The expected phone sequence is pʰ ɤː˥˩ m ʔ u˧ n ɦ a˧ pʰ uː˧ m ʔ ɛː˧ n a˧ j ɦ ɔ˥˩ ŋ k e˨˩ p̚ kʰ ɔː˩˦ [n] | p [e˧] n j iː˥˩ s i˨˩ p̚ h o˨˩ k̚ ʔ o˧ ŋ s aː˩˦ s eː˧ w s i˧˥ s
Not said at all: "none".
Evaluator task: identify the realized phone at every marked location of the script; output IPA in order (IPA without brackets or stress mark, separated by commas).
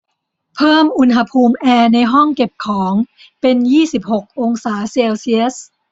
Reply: ŋ, e˧